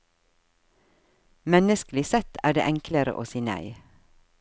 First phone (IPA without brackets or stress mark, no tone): m